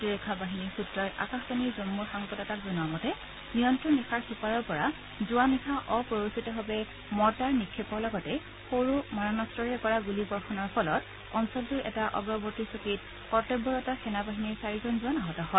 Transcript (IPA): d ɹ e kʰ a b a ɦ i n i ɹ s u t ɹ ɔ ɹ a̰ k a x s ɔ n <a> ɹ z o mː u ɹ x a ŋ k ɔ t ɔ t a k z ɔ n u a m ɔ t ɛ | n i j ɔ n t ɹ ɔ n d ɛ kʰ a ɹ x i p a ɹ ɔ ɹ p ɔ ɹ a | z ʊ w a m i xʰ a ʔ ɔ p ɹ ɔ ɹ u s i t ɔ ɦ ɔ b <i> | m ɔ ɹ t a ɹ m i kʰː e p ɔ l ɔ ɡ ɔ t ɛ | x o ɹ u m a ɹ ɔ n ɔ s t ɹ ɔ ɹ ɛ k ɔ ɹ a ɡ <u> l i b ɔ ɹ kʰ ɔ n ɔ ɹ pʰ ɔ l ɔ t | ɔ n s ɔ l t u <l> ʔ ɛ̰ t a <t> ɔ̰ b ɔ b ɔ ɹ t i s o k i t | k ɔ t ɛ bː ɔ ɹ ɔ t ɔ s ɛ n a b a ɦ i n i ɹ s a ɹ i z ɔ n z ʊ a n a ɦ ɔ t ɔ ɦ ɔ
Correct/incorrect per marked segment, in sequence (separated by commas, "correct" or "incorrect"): incorrect, incorrect, correct, incorrect, incorrect